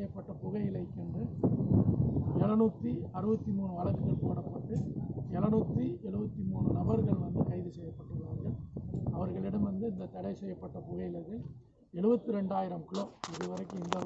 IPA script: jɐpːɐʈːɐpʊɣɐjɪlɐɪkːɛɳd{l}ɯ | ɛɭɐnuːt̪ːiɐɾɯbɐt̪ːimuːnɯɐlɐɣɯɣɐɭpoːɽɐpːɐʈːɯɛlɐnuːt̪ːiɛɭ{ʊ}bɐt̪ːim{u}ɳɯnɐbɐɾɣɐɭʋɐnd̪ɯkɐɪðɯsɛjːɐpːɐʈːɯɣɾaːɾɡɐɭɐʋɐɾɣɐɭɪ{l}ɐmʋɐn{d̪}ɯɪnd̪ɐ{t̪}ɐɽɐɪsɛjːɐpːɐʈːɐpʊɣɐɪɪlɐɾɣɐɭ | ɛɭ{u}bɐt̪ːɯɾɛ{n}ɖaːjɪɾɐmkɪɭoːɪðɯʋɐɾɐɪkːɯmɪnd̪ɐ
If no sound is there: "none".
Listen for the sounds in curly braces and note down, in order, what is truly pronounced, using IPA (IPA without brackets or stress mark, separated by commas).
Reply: r, ɯ, uː, ɽ, d̪, t̪, ɯ, ɳ